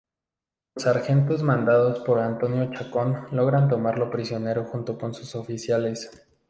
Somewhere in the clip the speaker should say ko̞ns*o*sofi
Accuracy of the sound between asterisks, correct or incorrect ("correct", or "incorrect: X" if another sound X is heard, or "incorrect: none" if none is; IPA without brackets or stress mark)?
incorrect: u